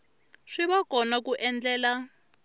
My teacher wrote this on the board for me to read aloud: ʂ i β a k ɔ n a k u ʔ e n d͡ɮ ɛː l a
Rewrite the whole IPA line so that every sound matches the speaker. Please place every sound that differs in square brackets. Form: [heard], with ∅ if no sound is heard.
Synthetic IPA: ʂ i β a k ɔ n a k u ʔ [ɛ] n d͡ɮ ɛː l a